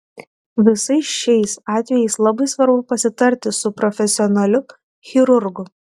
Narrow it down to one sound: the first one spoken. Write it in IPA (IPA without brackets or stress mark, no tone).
ʋʲ